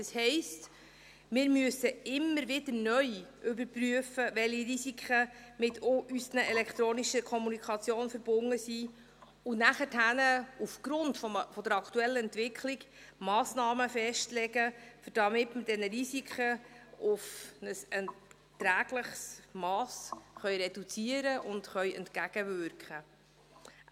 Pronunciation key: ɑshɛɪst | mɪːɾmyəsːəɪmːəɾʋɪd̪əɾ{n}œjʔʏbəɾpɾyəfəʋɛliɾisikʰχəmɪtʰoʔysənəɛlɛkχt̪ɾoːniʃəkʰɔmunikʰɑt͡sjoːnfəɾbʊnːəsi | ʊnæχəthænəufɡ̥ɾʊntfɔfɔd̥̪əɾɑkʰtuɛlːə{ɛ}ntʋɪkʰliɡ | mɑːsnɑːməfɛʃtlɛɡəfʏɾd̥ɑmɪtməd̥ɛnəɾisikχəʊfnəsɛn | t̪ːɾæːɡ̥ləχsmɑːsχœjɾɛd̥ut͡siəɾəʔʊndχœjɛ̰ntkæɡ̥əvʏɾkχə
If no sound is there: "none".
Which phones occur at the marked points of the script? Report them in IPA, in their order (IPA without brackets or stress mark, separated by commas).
n, ɛ